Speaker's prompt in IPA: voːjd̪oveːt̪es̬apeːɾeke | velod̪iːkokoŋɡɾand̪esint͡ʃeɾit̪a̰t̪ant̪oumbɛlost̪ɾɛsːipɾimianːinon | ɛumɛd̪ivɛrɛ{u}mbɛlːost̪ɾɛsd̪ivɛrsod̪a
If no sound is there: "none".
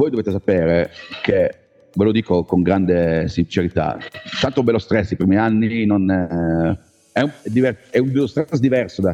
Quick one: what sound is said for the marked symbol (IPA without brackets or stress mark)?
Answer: u